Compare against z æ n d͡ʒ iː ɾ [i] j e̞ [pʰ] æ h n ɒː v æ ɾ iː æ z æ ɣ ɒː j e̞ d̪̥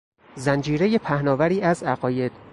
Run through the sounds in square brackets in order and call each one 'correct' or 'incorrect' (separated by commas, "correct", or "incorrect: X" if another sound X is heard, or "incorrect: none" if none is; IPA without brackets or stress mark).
incorrect: e, correct